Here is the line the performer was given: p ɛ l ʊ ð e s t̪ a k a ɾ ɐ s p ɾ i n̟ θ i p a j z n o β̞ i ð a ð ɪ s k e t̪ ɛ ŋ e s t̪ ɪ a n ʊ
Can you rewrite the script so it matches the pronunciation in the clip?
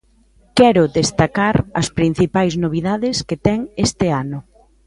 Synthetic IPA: k ɛ ɾ ʊ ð e s t̪ a k a ɾ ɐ s p ɾ i n̟ θ i p a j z n o β̞ i ð a ð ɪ s k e t̪ ɛ ŋ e s t̪ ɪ a n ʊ